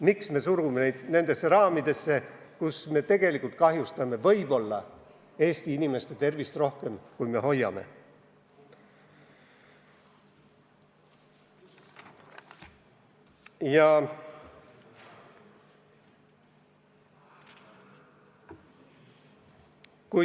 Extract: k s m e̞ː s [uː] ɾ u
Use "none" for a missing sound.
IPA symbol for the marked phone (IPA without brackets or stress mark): u